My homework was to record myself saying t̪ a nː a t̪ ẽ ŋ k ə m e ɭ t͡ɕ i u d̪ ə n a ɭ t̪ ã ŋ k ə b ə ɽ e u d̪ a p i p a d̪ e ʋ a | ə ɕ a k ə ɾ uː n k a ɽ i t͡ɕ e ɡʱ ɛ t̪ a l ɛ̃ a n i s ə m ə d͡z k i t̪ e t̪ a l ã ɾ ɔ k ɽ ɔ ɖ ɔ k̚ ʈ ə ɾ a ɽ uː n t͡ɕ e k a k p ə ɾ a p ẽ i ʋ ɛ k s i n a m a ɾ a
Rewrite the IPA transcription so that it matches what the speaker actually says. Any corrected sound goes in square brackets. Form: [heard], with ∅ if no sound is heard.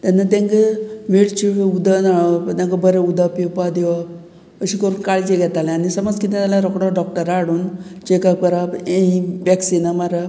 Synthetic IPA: t̪ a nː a t̪ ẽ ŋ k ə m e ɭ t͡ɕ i u d̪ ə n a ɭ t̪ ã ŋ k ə b ə [ɾ] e u d̪ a p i p a d̪ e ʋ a | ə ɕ [i] k ə ɾ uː n k a [ɭ] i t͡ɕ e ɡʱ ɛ t̪ a l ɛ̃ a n i s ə m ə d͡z k i t̪ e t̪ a l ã ɾ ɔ k ɽ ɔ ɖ ɔ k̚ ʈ ə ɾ a ɽ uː n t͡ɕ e k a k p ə ɾ a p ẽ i ʋ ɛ k s i n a m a ɾ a